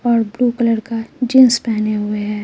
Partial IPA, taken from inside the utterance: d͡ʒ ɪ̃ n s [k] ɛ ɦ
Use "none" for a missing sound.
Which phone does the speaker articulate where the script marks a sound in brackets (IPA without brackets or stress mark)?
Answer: p